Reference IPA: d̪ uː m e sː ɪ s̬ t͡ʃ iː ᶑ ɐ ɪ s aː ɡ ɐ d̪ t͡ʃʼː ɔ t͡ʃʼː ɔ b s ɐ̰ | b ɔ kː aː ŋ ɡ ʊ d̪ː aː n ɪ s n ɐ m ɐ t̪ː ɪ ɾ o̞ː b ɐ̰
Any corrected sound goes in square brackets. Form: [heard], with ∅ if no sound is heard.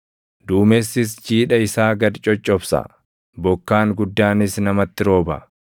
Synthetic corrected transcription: d̪ uː m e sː ɪ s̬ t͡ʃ iː ᶑ ɐ ɪ s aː ɡ ɐ d̪ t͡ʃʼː ɔ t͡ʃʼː ɔ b s ɐ̰ | b ɔ kː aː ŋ ɡ ʊ d̪ː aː n ɪ s n ɐ m ɐ t̪ː ɪ ɾ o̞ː b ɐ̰